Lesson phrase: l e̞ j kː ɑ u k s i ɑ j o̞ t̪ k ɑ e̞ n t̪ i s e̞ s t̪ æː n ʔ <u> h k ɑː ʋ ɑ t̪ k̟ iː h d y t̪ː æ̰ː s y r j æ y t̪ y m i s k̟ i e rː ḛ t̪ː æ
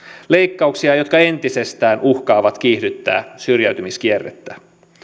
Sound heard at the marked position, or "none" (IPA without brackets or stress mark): u